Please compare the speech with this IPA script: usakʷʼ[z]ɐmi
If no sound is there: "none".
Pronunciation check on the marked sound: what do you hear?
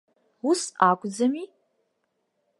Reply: d͡z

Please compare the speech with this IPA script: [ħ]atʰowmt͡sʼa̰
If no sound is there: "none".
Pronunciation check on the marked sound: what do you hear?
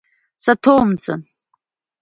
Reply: s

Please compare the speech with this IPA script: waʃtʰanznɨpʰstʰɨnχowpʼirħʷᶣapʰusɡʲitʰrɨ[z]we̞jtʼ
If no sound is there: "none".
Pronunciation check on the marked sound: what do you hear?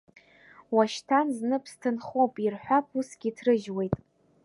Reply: ʒ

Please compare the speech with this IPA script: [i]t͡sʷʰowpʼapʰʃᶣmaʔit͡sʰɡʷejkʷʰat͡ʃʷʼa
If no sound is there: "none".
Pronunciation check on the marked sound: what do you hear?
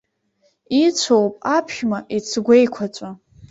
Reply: i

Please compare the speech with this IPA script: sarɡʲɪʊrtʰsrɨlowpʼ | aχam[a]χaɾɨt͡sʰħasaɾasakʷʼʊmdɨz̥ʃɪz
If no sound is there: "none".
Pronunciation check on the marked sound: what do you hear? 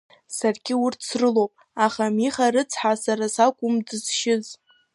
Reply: i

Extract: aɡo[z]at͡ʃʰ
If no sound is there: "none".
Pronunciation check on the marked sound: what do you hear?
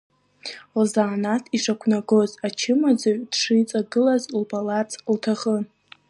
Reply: z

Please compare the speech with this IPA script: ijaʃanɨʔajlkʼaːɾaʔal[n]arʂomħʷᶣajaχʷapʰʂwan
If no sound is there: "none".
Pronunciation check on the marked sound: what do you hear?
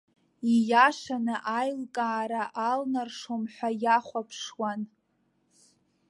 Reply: n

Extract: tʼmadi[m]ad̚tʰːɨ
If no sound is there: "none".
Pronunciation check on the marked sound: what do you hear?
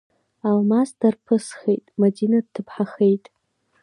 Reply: n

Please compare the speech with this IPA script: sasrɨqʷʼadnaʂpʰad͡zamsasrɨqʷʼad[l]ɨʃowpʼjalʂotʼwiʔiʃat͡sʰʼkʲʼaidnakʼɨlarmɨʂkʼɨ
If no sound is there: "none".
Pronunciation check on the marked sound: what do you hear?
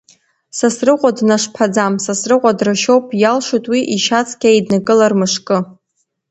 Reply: r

